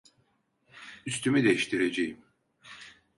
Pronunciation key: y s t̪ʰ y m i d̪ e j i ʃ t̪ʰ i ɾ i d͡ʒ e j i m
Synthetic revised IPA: y s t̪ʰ y m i d̪ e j i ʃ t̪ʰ i ɾ e d͡ʒ e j i m